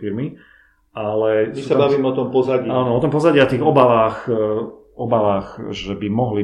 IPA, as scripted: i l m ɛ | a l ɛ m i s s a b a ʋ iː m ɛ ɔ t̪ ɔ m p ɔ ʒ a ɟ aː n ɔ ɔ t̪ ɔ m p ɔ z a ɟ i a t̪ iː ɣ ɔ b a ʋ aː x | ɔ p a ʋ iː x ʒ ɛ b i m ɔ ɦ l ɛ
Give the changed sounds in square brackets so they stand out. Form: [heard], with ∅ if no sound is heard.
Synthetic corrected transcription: i [ɾ] m [i] | a l ɛ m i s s a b a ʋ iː m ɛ ɔ t̪ ɔ m p ɔ [z] a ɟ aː n ɔ ɔ t̪ ɔ m p ɔ z a ɟ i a t̪ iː ɣ ɔ b a ʋ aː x | ɔ [b] a ʋ [aː] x ʒ ɛ b i m ɔ ɦ l [i]